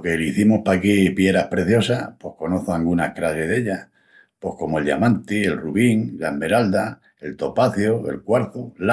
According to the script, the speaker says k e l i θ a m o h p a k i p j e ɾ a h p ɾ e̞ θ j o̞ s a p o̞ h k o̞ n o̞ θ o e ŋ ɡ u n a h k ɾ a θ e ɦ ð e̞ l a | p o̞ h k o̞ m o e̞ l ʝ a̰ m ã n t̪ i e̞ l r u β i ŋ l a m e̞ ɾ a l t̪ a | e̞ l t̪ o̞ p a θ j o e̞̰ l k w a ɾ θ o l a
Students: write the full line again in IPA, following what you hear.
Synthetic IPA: k e l i θ i m o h p a k i p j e ɾ a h p ɾ e̞ θ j o̞ s a p o̞ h k o̞ n o̞ θ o a ŋ ɡ u n a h k ɾ a s e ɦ ð e̞ ʎ a | p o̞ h k o̞ m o e̞ l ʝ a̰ m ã n t̪ i e̞ l r u β i ŋ l a m e̞ ɾ a l d̪ a | e̞ l t̪ o̞ p a θ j o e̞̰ l k w a ɾ θ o l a